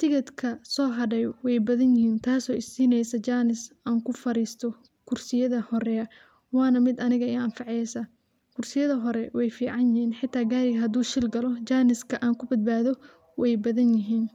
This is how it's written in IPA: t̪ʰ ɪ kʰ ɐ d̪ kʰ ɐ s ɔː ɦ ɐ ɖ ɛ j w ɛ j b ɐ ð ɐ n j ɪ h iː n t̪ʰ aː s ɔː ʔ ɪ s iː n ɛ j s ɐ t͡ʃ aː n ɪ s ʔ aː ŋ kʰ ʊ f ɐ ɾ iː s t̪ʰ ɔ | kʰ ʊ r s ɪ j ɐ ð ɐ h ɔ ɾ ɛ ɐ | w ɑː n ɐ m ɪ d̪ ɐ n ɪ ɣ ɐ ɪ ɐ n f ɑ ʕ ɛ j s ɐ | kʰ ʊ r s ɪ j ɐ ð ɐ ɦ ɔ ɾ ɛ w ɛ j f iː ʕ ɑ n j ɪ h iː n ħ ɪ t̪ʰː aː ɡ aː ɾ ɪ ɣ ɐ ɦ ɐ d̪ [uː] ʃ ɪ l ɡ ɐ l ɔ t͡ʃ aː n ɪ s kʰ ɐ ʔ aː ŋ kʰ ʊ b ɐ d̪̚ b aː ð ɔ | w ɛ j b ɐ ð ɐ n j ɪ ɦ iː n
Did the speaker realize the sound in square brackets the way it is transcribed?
yes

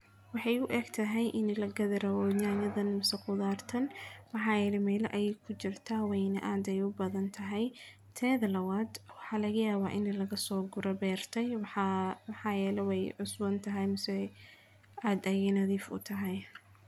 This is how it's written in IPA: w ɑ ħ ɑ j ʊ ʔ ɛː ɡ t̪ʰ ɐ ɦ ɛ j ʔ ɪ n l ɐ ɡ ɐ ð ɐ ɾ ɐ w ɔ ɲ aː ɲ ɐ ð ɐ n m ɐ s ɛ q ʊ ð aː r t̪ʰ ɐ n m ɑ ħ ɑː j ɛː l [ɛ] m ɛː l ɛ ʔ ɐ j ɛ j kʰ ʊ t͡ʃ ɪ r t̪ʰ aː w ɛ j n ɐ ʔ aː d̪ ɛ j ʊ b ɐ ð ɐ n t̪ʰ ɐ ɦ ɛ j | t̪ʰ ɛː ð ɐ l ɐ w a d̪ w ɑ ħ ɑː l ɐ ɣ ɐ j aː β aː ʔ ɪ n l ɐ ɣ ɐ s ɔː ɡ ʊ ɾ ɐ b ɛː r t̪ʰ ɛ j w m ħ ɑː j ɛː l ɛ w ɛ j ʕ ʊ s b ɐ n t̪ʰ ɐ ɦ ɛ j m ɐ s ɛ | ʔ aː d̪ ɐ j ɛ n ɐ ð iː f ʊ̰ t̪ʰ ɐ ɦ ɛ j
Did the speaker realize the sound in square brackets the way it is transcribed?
yes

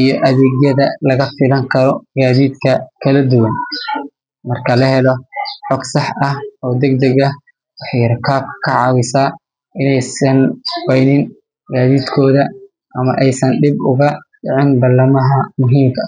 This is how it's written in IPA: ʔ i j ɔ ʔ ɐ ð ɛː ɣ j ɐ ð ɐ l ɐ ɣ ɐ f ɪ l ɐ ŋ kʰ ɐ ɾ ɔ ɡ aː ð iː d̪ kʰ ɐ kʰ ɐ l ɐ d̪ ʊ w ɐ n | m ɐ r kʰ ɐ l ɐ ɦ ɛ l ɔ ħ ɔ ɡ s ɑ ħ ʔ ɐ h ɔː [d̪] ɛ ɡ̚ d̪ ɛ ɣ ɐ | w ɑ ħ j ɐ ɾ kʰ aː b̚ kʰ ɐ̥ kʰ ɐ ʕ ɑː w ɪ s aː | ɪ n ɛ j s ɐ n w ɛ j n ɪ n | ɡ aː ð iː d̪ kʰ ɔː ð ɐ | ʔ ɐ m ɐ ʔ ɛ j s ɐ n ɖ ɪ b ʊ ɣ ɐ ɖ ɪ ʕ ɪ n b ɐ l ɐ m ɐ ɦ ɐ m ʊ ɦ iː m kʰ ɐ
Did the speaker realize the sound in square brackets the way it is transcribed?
yes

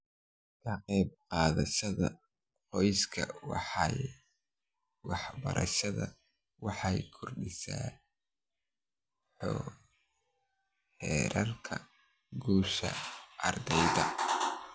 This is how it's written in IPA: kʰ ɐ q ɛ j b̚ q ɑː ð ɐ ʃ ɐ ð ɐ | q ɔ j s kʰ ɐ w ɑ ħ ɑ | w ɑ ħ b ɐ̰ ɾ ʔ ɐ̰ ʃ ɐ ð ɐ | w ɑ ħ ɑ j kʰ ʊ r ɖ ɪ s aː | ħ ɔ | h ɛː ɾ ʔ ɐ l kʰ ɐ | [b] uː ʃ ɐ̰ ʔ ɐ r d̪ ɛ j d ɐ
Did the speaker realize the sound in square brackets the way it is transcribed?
no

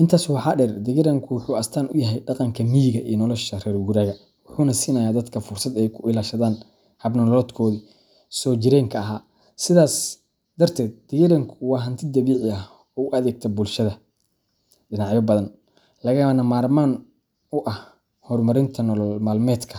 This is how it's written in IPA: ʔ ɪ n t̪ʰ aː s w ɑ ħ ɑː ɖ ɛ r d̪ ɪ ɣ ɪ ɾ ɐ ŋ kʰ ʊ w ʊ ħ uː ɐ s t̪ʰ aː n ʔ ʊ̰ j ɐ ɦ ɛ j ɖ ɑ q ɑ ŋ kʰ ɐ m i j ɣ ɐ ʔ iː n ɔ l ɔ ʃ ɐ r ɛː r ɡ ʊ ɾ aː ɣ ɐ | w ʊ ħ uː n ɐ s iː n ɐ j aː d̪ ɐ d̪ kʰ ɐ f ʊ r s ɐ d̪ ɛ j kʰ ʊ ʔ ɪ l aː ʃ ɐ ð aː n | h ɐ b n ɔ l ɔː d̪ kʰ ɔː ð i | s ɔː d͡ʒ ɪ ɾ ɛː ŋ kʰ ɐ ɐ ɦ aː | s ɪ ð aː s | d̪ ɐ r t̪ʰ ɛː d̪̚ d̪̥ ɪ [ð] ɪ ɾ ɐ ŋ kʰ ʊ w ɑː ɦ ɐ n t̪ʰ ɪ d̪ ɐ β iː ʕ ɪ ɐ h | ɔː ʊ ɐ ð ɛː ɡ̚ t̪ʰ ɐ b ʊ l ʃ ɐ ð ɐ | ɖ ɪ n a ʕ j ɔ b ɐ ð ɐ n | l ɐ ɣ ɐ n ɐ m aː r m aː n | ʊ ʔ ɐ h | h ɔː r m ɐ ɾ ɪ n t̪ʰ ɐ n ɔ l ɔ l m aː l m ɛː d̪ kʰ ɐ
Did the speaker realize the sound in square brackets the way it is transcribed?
no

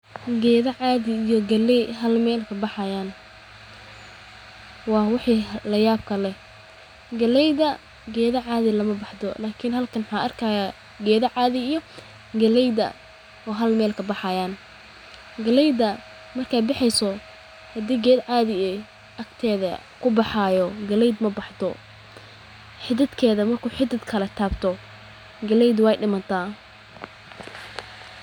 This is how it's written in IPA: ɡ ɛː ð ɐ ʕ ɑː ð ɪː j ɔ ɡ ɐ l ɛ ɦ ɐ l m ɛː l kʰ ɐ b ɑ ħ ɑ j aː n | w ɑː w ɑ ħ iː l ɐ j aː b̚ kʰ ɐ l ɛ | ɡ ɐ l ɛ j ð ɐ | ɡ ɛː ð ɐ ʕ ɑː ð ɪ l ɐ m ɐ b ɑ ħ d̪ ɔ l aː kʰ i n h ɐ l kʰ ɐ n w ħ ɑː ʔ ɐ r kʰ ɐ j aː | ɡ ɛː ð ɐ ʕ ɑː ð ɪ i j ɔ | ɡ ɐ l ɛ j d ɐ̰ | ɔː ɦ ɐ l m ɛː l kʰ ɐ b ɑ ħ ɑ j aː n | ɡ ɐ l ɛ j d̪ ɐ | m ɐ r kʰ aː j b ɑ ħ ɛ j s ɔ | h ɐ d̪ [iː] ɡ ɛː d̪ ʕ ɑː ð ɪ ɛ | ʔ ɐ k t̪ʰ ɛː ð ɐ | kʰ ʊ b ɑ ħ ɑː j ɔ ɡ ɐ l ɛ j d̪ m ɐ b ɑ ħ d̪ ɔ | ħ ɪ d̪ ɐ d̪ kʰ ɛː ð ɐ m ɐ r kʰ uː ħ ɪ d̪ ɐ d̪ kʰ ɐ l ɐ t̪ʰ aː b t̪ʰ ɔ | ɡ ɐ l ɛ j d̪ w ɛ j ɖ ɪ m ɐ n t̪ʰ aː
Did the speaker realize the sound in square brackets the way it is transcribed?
yes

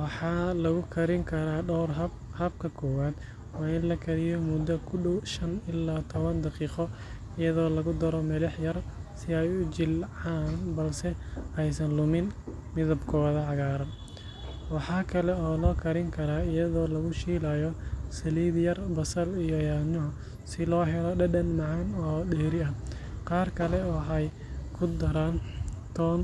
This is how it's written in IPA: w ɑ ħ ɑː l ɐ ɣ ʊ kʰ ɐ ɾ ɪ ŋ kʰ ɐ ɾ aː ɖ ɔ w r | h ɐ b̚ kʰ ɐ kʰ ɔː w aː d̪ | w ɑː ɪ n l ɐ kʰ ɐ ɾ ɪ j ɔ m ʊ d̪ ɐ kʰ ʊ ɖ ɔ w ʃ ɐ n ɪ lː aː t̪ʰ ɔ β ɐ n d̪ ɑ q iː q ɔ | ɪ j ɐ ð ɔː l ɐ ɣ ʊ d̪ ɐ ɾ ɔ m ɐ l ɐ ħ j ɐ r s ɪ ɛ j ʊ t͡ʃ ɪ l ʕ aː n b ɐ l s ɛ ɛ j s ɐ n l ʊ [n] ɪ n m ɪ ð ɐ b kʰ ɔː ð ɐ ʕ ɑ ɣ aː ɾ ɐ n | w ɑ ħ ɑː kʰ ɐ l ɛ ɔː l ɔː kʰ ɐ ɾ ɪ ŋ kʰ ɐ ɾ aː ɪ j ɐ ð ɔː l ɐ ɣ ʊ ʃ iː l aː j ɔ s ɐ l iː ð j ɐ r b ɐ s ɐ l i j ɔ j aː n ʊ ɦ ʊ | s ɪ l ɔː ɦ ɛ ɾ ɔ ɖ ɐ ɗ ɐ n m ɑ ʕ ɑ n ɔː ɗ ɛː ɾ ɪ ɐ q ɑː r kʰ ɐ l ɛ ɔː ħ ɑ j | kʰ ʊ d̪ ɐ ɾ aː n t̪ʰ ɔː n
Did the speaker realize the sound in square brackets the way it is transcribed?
no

